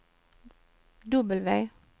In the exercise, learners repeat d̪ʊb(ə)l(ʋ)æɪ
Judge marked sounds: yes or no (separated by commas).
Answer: yes, yes